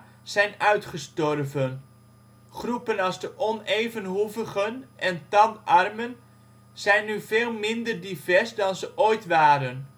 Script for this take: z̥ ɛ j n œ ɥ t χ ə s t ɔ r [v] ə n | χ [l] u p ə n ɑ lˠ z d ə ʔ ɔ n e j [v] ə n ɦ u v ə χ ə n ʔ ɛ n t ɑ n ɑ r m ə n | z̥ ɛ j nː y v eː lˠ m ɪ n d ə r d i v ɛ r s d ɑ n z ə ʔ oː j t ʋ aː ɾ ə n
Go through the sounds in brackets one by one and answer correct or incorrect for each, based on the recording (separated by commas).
correct, incorrect, correct